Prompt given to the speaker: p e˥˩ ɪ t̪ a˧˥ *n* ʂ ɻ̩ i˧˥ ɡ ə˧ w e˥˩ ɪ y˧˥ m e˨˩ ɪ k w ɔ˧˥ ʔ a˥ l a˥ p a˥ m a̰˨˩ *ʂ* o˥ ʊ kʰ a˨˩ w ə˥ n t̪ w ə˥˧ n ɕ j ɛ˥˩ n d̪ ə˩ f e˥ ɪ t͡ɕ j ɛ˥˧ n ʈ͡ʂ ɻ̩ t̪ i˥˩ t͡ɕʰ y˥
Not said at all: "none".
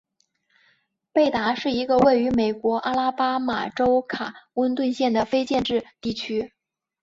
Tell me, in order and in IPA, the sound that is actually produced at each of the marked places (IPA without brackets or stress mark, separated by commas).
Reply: none, ʈ͡ʂ